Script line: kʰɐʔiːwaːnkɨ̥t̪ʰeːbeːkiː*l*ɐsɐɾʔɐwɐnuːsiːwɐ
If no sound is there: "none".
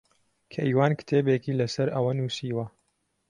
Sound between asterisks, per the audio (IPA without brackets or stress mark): l